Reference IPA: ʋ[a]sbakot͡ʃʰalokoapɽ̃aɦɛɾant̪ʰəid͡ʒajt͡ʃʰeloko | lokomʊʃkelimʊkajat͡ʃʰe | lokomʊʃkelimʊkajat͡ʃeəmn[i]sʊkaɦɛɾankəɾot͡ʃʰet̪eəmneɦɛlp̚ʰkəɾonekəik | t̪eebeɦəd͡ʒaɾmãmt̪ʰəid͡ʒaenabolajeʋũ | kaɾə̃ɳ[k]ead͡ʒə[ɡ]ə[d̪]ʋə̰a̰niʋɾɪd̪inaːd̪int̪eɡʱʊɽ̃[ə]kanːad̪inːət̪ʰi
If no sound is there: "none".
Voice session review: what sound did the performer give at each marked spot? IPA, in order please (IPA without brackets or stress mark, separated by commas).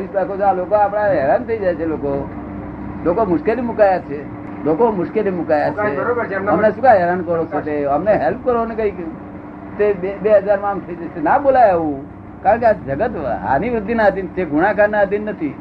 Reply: i, e, k, ɡ, t̪, a